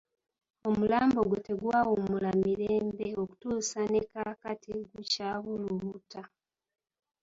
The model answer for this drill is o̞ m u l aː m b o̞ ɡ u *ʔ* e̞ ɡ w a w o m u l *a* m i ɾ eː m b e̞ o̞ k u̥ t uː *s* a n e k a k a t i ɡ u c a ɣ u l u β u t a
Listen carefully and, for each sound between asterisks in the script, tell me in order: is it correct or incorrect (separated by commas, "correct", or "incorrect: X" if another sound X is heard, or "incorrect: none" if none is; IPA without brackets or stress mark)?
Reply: incorrect: t, correct, correct